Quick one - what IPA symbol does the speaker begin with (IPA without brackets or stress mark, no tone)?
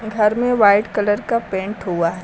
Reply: ɡʱ